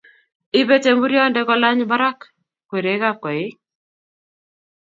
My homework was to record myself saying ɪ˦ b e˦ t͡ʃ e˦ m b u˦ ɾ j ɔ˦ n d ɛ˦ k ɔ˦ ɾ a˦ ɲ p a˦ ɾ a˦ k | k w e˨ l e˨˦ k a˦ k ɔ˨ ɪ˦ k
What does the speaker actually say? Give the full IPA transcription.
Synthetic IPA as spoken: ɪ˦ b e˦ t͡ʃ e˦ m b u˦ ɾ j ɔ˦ n d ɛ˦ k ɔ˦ l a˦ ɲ b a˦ ɾ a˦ k | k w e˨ ɾ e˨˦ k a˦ k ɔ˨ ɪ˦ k